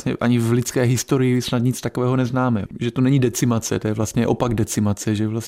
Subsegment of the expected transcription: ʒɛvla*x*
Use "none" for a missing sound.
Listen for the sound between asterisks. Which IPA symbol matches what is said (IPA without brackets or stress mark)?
s